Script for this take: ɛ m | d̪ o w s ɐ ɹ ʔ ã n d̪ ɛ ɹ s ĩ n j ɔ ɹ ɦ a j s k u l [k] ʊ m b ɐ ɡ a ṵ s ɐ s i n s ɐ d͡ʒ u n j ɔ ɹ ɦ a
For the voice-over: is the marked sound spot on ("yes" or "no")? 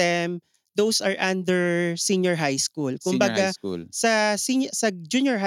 yes